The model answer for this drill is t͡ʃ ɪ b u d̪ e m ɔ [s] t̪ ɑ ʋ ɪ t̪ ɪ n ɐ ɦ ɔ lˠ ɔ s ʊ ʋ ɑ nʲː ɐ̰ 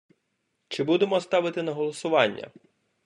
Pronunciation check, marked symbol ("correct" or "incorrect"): correct